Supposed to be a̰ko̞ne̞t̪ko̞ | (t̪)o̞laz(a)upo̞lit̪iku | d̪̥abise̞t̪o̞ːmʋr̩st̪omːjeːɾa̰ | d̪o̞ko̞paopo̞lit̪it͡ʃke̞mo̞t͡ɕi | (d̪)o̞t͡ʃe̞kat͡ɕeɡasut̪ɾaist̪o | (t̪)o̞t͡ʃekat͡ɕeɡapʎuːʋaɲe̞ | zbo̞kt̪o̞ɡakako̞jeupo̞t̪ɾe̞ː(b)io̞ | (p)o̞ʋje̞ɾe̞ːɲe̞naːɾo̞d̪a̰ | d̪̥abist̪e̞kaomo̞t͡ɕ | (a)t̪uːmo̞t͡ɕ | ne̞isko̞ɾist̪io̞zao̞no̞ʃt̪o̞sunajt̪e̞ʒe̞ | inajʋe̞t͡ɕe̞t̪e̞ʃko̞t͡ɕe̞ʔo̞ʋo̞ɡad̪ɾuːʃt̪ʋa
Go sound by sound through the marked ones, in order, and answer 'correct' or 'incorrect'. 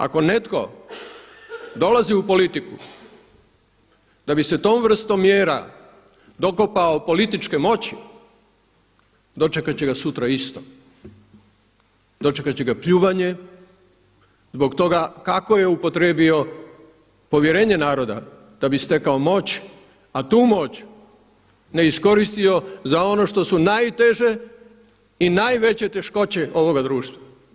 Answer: incorrect: d̪, incorrect: i, correct, incorrect: d̪, correct, correct, correct

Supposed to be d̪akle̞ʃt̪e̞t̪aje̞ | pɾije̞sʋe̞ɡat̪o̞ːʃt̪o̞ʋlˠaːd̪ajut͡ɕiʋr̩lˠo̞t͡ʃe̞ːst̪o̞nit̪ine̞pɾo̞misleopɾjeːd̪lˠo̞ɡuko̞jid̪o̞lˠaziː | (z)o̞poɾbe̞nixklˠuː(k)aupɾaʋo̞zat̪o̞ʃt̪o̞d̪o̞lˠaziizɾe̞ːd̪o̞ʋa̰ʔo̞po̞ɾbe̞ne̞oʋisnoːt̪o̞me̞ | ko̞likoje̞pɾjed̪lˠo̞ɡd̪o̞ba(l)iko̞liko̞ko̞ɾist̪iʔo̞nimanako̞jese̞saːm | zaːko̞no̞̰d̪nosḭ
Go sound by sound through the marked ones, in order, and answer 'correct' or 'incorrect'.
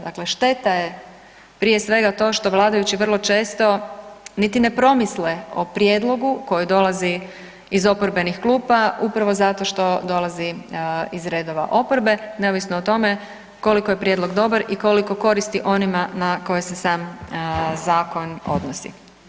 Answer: correct, incorrect: p, incorrect: ɾ

